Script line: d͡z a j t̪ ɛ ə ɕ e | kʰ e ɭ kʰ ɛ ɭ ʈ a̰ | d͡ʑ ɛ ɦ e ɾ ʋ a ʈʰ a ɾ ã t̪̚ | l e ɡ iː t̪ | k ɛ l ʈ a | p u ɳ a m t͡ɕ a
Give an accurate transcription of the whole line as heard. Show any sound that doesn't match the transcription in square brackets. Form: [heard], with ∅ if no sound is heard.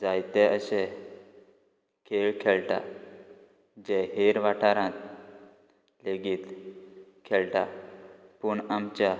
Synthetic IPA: d͡z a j t̪ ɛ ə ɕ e | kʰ e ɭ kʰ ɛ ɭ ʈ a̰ | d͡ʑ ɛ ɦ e ɾ ʋ a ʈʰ a ɾ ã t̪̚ | l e ɡ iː t̪ | [kʰ] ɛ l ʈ a | p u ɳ a m t͡ɕ a